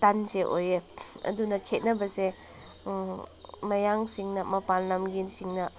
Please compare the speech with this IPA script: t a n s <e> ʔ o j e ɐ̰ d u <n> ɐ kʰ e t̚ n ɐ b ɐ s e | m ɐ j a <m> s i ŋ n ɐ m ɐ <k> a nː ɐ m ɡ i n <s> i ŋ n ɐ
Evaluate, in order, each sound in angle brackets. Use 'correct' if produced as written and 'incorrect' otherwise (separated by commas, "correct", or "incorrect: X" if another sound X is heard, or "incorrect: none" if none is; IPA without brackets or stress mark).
correct, correct, incorrect: ŋ, incorrect: p, correct